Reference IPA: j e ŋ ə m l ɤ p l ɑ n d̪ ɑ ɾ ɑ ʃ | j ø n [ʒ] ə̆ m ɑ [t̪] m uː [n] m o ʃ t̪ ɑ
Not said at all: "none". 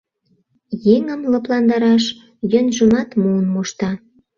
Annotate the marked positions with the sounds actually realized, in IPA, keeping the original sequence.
ʒ, t̪, n

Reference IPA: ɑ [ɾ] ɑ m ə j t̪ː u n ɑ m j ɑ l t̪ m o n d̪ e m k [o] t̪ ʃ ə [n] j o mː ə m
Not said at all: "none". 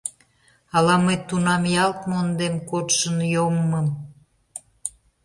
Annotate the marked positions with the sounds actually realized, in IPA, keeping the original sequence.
l, o, n

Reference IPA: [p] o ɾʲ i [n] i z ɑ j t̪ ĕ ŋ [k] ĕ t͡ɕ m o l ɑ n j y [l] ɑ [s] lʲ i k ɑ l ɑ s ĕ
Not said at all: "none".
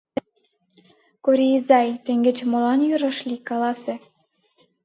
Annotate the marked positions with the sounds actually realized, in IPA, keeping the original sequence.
k, none, ɡ, ɾ, ʃ

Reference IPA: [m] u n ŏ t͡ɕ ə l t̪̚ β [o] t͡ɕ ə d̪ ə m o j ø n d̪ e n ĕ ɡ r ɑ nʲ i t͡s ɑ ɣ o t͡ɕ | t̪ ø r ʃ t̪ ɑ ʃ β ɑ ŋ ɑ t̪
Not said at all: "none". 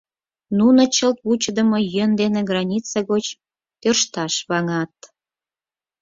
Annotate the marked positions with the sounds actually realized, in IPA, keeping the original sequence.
n, u

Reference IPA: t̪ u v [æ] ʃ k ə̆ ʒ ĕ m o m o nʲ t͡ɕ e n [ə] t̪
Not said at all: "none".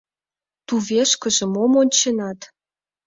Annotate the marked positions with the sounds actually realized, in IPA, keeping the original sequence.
e, ɑ

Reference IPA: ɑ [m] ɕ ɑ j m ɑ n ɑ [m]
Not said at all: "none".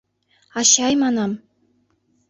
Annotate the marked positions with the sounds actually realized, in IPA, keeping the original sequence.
none, m

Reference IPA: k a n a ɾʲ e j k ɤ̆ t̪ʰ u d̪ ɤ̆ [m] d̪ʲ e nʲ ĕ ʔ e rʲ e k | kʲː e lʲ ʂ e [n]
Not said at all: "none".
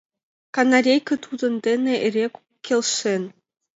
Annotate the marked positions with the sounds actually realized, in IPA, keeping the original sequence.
n, n

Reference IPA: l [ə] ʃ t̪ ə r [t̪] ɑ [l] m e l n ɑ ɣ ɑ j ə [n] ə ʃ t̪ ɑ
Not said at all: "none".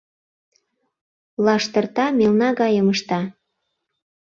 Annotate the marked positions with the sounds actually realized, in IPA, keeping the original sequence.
ɑ, t̪, none, m

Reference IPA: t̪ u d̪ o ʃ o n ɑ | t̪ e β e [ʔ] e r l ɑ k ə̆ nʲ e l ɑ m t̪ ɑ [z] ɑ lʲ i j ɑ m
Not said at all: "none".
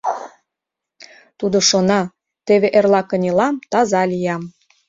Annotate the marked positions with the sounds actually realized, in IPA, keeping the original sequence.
ʔ, z

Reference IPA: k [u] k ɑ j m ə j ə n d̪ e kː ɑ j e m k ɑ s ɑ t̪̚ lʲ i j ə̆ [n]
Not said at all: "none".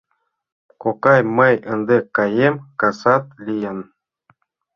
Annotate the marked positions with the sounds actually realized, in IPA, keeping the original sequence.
o, n

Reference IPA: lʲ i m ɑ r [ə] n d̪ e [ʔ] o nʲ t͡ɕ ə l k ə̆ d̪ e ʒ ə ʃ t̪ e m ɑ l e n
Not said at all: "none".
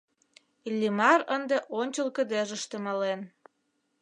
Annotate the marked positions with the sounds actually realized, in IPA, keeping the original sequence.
ə, ʔ

